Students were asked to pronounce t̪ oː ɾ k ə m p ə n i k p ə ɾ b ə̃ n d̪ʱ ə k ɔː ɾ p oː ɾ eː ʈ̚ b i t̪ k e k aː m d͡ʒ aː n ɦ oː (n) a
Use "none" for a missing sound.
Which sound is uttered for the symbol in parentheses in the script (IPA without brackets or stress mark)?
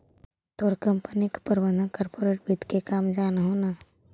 n